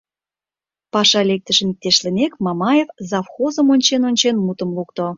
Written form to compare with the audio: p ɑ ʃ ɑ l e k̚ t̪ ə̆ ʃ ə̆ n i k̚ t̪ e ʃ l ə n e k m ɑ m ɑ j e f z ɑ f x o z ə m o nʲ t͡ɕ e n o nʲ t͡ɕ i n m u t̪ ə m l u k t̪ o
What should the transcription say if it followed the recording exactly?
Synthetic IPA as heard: p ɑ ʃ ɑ l e k̚ t̪ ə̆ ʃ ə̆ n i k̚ t̪ e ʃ l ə n e k m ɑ m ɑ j e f z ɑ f x o z ə m o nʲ t͡ɕ e n o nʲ t͡ɕ e n m u t̪ ə m l u k t̪ o

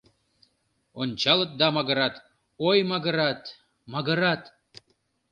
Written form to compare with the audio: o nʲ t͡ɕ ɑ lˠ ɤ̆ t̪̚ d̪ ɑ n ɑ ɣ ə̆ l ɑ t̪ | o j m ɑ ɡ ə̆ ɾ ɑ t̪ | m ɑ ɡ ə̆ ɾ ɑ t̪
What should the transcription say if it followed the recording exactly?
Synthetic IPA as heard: o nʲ t͡ɕ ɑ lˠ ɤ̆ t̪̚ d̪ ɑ m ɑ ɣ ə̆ ɾ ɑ t̪ | o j m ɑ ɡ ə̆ ɾ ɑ t̪ | m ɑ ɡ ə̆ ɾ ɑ t̪

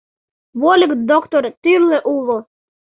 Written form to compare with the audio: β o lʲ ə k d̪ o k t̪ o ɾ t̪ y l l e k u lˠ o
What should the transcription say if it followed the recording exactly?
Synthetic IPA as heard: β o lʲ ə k d̪ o k t̪ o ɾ t̪ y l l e ʔ u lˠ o

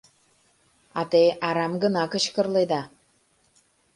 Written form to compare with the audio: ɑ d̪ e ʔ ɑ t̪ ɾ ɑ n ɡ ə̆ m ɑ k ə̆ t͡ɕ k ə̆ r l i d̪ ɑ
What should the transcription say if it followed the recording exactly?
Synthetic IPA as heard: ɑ t̪ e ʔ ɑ ɾ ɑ m ɡ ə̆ n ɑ k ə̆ t͡ɕ k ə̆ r l e d̪ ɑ

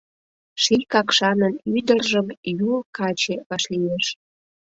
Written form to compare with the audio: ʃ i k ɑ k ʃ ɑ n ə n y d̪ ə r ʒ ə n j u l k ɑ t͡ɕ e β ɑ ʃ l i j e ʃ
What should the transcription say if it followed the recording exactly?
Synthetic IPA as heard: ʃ i k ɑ k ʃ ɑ n ə n y d̪ ə r ʒ ə m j u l k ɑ t͡ɕ e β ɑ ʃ l i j e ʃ

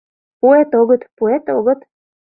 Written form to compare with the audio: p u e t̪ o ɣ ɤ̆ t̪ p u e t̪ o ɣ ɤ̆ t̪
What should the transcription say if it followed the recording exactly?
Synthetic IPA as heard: p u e t̪ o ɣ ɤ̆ t̪ p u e t̪ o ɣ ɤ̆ t̪

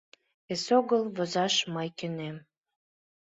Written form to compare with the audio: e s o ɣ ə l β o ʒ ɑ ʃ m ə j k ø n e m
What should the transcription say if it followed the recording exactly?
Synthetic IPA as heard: e s o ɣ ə l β o z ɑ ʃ m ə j k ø n e m

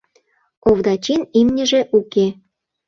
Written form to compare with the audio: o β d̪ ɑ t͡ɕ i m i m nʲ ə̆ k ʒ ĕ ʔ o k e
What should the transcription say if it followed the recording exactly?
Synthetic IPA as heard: o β d̪ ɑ t͡ɕ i n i m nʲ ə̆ ʒ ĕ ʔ u k e

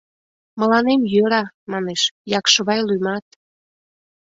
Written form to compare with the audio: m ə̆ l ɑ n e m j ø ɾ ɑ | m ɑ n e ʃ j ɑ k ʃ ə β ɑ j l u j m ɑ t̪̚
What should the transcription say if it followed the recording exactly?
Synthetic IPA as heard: m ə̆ l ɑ n e m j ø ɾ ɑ | m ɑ n e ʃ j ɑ k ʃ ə β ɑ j l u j m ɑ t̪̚

